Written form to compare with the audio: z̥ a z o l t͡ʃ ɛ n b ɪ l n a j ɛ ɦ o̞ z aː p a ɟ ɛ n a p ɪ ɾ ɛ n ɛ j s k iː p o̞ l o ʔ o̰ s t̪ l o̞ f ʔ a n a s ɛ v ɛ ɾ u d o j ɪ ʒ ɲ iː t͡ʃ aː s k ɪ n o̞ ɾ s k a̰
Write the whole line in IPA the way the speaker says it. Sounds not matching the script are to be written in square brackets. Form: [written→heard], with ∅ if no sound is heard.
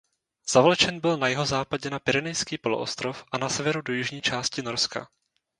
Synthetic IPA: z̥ a [z→v] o l t͡ʃ ɛ n b ɪ l n a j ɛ ɦ o̞ z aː p a ɟ ɛ n a p ɪ ɾ ɛ n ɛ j s k iː p o̞ l o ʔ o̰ s t̪ [l→ɾ] o̞ f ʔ a n a s ɛ v ɛ ɾ u d o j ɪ ʒ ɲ iː t͡ʃ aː s [k→c] ɪ n o̞ ɾ s k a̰